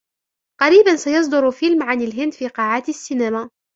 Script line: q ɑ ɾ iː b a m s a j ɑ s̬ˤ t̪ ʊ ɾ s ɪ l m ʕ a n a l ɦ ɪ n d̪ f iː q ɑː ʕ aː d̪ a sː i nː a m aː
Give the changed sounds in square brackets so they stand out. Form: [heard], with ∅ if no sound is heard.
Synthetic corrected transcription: q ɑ ɾ iː b a [n] s a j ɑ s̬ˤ [d̪] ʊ ɾ [f] ɪ l m ʕ a n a l ɦ ɪ n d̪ f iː q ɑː ʕ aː [t̪] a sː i [n] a m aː